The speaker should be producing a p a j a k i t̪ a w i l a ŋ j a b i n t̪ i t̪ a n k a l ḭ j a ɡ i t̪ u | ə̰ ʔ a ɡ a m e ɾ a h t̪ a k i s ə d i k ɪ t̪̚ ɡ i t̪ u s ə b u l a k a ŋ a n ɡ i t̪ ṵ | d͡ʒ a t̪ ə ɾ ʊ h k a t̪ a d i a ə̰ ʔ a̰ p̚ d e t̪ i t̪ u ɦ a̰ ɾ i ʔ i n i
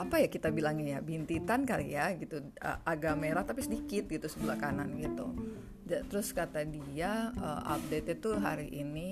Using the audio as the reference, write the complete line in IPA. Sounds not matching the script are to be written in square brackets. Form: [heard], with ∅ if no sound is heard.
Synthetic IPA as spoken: a p a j a k i t̪ a [b] i l a ŋ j a b i n t̪ i t̪ a n k a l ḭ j a ɡ i t̪ u | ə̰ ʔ a ɡ a m e ɾ a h t̪ a [p] i s ə d i k ɪ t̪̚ ɡ i t̪ u s ə b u l a k a [n] a n ɡ i t̪ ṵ | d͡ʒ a t̪ ə ɾ ʊ [s] k a t̪ a d i a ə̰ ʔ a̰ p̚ d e t̪ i t̪ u ɦ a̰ ɾ i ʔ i n i